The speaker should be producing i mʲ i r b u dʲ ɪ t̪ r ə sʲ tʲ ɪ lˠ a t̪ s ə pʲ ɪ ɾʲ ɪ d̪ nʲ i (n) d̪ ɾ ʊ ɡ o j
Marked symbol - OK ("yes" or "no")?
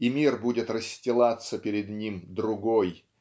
no